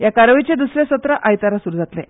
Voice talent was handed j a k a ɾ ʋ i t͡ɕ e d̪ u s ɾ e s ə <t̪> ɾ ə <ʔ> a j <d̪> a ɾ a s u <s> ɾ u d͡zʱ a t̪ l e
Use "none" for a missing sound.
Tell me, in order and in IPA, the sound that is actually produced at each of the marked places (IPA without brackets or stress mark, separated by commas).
t̪, ʔ, t̪, none